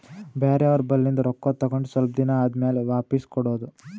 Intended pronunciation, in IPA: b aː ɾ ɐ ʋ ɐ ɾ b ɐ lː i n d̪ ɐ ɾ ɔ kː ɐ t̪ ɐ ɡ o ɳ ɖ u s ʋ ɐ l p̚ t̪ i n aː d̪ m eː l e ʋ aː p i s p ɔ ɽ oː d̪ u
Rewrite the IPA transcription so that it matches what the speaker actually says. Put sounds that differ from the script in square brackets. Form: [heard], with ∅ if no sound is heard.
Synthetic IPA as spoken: b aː ɾ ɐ ʋ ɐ ɾ b ɐ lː i n d̪ ɐ ɾ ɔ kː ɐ t̪ ɐ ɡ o ɳ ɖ u s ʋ ɐ l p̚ [d̪] i n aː d̪ m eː l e ʋ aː p i s [k] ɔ ɽ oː d̪ u